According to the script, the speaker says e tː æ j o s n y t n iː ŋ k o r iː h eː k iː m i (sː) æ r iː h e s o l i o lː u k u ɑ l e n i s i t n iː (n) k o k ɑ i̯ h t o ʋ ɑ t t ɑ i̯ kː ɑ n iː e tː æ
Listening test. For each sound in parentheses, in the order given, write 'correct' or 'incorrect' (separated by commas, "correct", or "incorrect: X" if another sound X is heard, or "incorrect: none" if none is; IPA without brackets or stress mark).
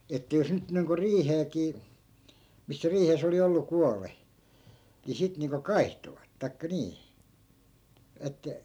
correct, incorrect: ŋ